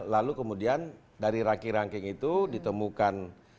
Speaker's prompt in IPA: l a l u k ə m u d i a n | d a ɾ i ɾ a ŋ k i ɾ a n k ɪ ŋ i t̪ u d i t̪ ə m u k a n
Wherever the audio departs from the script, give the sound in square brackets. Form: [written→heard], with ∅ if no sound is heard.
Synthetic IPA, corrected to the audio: l a l u k ə m u d i a n | d a ɾ i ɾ a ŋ k i ɾ a [n→ŋ] k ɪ ŋ i t̪ u d i t̪ ə m u k a n